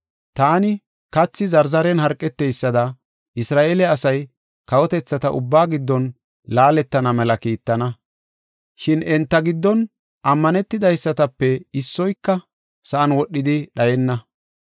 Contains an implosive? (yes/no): yes